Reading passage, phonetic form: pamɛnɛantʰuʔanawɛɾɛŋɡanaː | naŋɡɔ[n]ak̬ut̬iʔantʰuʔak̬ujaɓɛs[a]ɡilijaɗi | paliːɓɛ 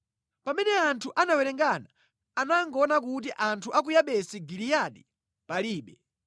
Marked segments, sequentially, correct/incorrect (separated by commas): correct, incorrect